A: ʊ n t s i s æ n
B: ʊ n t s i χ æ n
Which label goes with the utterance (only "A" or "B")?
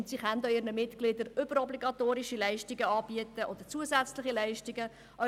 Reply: B